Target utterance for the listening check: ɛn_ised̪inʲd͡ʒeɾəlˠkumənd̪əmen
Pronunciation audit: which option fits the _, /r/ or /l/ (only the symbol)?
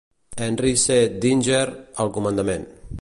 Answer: r